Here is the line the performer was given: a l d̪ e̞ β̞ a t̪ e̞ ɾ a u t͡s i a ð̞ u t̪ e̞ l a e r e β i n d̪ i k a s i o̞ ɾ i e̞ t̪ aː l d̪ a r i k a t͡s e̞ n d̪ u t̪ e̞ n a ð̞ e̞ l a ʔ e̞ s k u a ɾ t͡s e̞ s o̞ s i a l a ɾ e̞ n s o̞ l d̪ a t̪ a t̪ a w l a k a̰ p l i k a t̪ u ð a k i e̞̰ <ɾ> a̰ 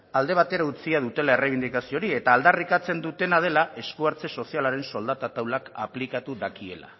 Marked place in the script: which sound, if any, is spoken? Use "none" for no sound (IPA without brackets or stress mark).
l